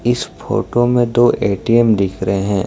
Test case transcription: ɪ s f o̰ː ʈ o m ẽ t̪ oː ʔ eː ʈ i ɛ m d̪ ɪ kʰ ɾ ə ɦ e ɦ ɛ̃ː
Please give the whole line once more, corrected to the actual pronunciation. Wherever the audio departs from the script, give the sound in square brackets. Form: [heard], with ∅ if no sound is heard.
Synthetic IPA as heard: ɪ s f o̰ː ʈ o m ẽ [d̪] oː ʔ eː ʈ i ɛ m d̪ ɪ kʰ ɾ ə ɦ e ɦ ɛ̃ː